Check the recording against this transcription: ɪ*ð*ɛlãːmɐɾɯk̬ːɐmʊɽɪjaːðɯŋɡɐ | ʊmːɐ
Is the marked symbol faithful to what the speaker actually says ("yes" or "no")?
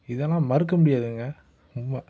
yes